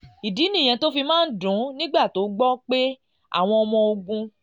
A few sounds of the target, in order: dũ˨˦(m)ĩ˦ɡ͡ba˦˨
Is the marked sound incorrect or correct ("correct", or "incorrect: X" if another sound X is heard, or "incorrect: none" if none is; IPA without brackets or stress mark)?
incorrect: n